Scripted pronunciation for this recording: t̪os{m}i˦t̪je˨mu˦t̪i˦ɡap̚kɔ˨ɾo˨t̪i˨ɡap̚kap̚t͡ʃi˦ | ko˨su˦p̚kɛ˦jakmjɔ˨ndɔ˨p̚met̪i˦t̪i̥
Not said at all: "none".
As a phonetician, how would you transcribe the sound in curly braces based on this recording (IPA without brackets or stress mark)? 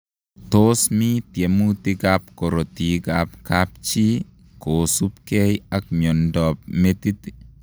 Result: m